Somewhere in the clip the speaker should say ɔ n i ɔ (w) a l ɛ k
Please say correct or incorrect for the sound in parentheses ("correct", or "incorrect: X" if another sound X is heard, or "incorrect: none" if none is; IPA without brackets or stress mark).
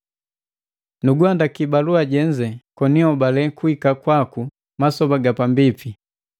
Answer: incorrect: b